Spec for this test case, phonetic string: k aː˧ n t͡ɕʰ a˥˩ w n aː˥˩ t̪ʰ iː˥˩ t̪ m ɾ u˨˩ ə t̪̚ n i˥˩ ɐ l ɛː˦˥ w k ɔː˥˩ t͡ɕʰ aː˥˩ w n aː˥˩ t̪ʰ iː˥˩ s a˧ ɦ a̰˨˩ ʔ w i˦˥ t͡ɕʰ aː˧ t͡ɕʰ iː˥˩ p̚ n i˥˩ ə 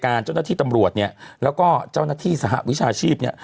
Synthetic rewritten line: k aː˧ n t͡ɕ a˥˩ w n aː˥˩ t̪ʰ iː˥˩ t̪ m ɾ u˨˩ ə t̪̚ n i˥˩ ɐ l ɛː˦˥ w k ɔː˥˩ t͡ɕ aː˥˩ w n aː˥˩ t̪ʰ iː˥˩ s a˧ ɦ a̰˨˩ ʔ w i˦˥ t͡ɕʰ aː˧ t͡ɕʰ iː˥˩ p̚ n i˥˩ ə